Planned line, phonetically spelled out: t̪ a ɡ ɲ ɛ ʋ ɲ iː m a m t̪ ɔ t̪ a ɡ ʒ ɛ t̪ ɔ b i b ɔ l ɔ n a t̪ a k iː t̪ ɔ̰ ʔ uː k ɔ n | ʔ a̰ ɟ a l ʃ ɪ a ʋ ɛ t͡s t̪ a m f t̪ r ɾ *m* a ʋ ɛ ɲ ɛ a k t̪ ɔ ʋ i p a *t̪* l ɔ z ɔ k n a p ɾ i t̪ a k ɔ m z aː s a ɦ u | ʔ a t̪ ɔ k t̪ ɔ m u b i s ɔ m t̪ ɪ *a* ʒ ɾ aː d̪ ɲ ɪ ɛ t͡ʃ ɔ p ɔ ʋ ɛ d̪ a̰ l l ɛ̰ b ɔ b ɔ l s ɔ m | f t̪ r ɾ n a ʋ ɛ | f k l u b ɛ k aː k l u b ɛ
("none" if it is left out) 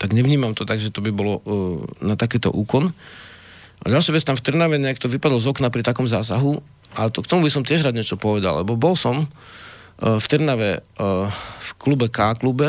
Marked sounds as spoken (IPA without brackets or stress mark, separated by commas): n, d̪, ɛ